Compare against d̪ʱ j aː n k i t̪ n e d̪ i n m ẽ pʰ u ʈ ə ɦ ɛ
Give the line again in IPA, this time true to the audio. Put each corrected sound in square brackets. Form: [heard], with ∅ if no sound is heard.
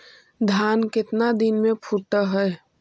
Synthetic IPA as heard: d̪ʱ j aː n k [ɪ] t̪ n [a] d̪ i n m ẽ pʰ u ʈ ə ɦ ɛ